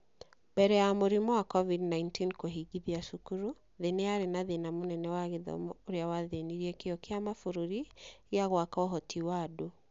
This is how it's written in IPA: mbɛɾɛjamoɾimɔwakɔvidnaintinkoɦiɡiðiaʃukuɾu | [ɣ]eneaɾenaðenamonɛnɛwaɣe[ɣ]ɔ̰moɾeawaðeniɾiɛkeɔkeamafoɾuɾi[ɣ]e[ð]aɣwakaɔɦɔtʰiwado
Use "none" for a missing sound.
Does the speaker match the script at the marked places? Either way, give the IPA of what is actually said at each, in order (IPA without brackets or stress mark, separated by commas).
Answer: ð, ð, ɣ, none